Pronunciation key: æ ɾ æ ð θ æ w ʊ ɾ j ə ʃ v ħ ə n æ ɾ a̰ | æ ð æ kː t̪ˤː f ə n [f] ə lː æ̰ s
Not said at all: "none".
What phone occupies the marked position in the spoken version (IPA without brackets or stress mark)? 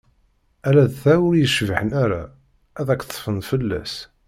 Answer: f